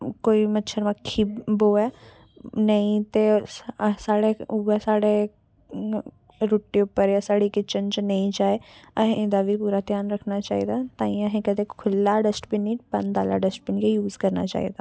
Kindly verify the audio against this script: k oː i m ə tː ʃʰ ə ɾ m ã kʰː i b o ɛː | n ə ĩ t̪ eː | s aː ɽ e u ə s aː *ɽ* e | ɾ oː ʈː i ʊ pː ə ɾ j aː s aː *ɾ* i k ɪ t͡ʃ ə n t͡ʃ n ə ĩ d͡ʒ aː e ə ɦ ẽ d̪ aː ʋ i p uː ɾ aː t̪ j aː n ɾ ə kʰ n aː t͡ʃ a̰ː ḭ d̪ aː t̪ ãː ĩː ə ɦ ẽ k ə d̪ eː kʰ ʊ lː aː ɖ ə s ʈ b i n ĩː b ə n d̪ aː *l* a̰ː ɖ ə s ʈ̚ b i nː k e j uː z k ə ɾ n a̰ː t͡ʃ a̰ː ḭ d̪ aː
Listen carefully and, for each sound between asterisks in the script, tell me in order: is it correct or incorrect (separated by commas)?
correct, incorrect, correct